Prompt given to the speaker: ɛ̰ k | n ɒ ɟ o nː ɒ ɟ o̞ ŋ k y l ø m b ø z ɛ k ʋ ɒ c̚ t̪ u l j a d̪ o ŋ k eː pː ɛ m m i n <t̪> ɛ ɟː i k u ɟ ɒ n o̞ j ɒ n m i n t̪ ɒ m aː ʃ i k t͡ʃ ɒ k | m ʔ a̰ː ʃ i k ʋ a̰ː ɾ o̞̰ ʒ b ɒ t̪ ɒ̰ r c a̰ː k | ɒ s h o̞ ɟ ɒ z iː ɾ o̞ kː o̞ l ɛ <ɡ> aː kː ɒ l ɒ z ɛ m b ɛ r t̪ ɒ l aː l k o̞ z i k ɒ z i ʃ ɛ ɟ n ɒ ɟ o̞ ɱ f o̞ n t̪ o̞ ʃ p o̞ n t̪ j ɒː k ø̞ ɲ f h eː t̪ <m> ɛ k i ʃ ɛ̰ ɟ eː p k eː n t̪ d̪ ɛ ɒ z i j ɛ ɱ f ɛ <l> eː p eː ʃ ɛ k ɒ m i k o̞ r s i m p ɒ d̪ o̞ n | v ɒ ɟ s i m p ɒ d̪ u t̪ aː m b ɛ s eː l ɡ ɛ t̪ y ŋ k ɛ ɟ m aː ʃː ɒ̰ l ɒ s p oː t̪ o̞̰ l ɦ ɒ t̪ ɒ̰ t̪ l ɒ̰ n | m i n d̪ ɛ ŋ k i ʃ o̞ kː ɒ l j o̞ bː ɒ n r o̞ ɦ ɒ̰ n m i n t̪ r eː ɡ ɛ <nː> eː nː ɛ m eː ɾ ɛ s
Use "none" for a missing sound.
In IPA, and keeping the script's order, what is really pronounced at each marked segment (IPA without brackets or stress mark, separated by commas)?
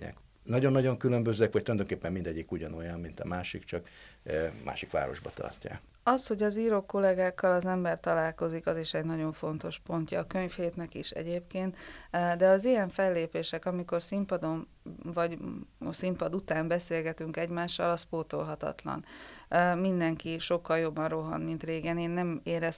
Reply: d̪, ɡ, n, lː, n